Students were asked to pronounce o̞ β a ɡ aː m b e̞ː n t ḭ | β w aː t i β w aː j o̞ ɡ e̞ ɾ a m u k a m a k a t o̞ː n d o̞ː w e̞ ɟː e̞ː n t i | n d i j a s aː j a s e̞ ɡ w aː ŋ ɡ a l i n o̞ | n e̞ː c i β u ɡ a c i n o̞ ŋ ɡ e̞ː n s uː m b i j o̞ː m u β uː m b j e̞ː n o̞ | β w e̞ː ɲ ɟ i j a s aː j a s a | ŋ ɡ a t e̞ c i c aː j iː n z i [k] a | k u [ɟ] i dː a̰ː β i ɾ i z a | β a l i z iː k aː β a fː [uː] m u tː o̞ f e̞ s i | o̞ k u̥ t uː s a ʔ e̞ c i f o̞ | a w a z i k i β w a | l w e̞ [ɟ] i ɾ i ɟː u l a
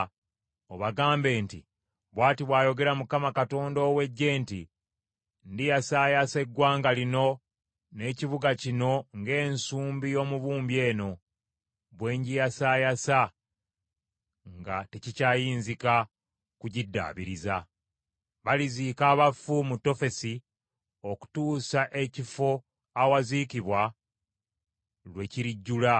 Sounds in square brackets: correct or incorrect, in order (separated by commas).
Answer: correct, correct, incorrect, incorrect